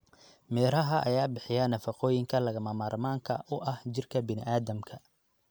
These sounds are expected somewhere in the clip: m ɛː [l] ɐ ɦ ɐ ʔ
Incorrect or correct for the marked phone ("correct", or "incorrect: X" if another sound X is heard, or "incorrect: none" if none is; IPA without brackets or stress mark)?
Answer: incorrect: ɾ